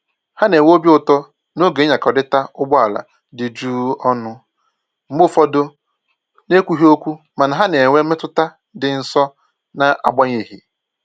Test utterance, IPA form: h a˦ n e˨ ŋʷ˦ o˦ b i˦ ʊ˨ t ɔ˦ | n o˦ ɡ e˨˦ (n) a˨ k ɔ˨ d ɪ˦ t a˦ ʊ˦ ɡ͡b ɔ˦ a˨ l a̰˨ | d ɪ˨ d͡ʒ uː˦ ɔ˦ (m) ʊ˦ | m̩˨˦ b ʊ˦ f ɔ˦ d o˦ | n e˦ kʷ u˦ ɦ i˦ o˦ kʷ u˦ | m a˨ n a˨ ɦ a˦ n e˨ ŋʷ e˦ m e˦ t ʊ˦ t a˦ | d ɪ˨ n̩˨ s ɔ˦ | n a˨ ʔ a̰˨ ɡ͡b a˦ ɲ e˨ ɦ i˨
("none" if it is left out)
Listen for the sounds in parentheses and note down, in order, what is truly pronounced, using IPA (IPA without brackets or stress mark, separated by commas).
ɲ, n